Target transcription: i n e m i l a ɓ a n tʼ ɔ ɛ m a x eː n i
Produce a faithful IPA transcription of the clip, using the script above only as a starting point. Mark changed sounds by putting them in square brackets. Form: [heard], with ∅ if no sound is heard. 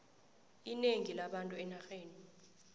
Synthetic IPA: i n e [ŋ] i l a ɓ a n tʼ [u] ɛ [n] a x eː n i